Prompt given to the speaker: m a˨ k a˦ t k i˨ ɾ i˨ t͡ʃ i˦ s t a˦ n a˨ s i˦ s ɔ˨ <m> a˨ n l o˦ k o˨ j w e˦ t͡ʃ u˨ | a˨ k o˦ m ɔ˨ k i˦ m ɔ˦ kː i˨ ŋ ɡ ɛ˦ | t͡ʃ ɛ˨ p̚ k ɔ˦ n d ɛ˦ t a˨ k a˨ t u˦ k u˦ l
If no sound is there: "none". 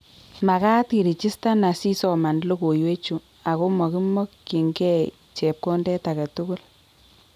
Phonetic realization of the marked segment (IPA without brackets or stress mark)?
m